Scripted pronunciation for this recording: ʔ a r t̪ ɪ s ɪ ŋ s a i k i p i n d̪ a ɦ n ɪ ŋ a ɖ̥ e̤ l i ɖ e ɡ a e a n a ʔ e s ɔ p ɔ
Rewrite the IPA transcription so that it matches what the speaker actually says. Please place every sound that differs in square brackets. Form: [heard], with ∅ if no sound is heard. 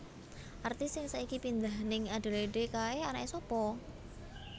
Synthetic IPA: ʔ a r t̪ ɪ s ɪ ŋ s a i k i p i n d̪ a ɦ n ɪ ŋ a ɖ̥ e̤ l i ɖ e [k] a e a n a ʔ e s ɔ p ɔ